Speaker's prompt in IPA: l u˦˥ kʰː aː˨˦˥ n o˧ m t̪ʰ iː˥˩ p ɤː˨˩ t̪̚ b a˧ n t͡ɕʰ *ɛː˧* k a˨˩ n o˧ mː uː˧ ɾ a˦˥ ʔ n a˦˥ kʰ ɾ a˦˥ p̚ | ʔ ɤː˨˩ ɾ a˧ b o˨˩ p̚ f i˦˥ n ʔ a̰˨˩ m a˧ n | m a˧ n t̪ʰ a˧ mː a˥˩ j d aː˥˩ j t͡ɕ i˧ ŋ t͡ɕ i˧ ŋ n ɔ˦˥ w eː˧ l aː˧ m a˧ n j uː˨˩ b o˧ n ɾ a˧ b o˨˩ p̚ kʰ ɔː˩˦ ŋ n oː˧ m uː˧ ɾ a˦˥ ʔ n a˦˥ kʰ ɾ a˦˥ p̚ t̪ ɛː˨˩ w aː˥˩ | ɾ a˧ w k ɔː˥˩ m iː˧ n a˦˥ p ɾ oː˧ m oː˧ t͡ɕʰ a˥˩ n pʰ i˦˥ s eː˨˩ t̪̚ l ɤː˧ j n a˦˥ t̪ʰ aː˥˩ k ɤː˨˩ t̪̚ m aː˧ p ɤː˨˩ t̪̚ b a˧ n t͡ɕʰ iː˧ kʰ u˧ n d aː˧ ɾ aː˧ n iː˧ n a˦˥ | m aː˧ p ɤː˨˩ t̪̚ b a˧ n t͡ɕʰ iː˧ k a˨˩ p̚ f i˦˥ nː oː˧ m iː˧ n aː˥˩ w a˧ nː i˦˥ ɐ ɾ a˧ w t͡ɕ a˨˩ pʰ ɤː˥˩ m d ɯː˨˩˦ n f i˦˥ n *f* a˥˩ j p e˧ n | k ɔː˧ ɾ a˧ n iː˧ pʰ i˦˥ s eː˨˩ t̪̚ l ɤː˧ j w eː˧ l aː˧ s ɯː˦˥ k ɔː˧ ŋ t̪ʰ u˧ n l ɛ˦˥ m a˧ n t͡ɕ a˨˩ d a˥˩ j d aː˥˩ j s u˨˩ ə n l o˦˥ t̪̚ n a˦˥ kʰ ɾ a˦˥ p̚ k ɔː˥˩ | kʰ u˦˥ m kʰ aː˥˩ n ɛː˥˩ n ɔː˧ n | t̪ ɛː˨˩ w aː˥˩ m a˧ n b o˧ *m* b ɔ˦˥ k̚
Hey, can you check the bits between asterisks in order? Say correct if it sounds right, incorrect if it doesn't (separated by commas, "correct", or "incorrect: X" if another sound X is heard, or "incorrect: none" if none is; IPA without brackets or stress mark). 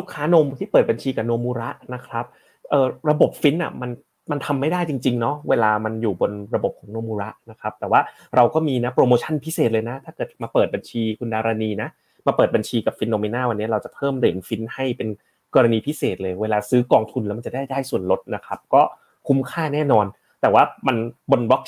incorrect: iː˧, incorrect: h, incorrect: n